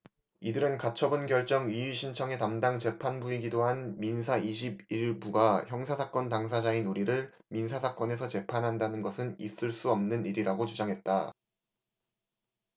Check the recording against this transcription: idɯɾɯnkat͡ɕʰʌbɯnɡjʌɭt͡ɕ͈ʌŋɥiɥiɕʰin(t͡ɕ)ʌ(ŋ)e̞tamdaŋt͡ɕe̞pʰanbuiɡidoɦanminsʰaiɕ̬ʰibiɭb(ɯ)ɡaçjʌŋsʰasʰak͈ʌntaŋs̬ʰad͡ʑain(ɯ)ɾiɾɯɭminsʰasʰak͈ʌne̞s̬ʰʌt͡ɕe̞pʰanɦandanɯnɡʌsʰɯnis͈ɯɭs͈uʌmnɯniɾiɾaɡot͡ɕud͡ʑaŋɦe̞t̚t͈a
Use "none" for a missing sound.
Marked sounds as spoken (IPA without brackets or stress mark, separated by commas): t͡ɕʰ, ŋ, u, u